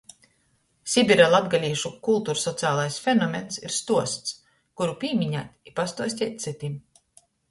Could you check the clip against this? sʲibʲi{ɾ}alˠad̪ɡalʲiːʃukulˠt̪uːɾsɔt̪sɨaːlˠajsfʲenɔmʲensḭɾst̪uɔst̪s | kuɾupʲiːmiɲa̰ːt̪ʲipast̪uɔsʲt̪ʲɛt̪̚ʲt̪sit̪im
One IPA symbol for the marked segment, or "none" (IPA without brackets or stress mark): ɾ